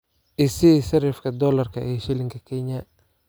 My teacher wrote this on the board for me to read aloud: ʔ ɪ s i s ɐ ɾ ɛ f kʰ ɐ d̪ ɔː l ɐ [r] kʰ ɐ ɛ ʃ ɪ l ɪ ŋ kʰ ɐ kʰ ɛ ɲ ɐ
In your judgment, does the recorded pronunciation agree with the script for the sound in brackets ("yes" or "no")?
yes